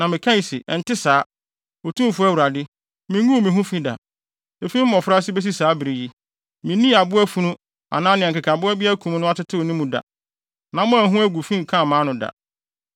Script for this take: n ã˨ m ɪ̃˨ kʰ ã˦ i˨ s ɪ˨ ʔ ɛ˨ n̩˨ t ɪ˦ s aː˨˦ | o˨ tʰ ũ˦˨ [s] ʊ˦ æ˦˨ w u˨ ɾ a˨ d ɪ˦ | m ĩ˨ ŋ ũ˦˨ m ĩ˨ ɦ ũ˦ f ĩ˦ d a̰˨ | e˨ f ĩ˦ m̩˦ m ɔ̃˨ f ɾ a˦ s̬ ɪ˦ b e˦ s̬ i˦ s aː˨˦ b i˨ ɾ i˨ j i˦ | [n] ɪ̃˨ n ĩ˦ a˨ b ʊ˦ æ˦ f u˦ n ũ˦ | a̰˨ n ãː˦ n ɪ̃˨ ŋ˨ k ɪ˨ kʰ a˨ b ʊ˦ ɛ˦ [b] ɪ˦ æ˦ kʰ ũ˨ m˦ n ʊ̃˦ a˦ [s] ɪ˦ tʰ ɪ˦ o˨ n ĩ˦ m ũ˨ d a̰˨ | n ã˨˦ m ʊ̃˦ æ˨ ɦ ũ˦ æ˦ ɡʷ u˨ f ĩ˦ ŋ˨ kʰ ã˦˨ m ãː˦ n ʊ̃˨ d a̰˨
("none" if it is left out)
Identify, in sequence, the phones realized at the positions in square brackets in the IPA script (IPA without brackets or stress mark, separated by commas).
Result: f, m, b, t